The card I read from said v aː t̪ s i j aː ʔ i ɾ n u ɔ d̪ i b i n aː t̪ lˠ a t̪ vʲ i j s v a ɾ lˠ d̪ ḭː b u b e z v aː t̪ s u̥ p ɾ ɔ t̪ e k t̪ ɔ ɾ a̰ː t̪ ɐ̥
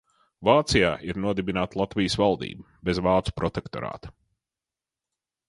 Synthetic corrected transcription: v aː t̪ s i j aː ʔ i ɾ n u ɔ d̪ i b i n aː t̪ lˠ a t̪ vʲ i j s v a lˠ d̪ ḭː b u b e z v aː t̪ s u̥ p ɾ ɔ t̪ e k t̪ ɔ ɾ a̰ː t̪ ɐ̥